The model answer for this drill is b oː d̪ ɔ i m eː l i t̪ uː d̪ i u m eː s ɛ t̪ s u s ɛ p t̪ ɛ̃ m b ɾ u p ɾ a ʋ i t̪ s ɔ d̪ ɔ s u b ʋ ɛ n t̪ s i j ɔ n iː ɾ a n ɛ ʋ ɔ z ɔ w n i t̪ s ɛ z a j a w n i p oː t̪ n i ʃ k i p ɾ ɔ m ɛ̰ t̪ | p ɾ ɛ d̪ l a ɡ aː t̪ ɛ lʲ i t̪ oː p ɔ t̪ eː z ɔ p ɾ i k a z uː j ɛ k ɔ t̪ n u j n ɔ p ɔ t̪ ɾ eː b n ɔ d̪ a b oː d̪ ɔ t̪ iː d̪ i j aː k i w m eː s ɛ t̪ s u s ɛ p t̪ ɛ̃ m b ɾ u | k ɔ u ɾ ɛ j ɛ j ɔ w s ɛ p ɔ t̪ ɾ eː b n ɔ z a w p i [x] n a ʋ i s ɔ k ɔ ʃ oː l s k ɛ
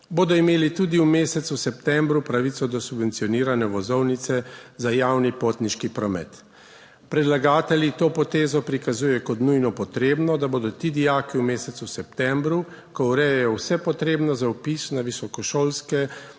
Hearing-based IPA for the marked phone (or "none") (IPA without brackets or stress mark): s